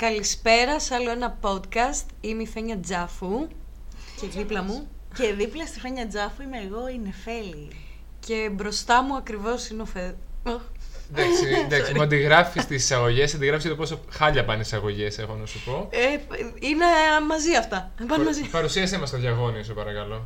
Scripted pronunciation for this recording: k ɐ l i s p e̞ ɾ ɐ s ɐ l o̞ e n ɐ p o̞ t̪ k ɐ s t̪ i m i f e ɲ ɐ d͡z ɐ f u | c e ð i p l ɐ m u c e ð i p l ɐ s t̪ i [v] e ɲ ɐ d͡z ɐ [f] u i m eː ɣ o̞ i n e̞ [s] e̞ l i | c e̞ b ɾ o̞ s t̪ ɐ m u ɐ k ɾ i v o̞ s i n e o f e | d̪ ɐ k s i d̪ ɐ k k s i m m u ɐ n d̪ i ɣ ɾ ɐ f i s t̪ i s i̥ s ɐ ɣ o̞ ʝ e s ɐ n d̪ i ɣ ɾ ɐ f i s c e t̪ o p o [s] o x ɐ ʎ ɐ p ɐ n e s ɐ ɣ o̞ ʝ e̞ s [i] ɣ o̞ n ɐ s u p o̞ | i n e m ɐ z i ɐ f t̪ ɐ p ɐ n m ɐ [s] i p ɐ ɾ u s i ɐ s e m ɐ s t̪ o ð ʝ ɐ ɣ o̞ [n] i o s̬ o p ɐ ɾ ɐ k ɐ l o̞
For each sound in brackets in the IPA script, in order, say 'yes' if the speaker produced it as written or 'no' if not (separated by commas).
no, yes, no, yes, no, no, yes